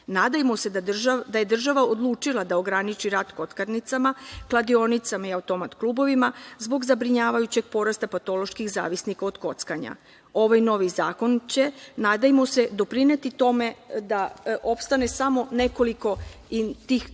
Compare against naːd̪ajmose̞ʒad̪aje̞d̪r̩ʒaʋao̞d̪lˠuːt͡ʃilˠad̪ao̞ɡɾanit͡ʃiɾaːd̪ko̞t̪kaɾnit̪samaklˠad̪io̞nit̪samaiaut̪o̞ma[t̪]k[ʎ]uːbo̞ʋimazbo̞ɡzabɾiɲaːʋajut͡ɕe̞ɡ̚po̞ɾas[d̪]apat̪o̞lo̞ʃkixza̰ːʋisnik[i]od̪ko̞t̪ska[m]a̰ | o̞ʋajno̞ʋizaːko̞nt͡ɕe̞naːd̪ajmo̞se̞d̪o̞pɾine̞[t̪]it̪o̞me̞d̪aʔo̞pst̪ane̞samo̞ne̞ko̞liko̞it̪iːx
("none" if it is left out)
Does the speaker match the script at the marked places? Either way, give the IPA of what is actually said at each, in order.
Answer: t̪, l, t̪, a, ɲ, t̪

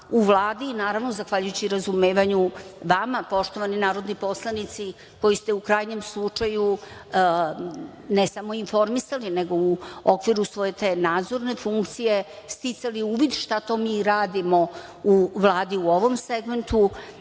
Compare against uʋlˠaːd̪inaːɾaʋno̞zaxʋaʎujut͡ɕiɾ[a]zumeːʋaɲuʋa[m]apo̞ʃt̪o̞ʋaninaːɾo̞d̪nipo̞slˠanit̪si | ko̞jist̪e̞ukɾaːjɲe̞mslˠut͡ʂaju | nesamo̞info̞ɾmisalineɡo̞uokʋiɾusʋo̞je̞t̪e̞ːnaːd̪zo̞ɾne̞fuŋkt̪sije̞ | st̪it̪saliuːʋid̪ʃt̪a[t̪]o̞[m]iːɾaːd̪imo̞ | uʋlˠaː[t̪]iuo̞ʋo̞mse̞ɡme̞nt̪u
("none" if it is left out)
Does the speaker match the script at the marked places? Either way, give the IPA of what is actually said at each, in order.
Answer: a, m, t̪, m, d̪

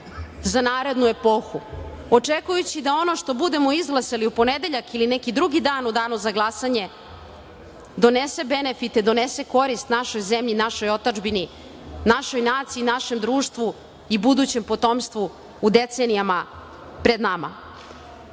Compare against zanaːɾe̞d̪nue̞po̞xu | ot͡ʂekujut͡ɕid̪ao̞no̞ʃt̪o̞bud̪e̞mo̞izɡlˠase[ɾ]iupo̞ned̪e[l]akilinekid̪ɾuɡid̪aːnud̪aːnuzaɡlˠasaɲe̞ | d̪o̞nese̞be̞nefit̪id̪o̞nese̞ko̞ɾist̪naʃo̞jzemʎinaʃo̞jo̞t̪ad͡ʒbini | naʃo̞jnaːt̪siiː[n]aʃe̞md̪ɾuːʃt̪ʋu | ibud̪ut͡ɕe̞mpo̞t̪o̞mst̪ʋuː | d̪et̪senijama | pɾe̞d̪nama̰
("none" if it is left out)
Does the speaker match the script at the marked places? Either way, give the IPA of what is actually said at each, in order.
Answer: l, ʎ, n

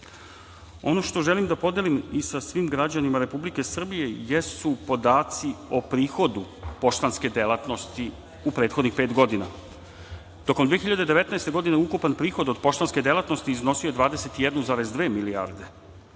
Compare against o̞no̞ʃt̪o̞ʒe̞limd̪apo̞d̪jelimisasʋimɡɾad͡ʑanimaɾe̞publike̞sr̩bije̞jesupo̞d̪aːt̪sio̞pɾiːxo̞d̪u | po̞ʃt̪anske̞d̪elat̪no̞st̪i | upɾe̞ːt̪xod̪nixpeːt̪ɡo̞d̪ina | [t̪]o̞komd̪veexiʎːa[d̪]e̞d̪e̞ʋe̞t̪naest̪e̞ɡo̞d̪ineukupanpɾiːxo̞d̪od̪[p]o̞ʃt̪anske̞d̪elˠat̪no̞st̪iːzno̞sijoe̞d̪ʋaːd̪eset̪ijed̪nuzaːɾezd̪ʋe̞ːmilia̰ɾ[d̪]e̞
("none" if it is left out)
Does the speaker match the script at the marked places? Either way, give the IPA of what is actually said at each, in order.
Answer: t̪, d̪, p, d̪

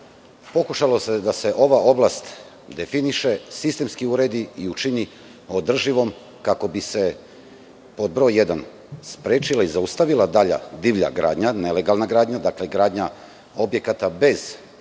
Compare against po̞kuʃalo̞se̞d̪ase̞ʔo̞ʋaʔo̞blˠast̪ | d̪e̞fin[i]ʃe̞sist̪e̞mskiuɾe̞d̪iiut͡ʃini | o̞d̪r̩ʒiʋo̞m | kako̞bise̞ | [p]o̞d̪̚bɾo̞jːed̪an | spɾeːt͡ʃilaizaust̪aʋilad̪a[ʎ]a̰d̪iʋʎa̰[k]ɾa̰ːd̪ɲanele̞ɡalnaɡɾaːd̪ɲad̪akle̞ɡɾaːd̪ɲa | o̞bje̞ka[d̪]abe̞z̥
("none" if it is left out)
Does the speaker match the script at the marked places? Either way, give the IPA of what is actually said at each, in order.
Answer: i, p, ʎ, ɡ, t̪

